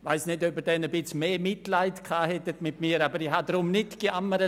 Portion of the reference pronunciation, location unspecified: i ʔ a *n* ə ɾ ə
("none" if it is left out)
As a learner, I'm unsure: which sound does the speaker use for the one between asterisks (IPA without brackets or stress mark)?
m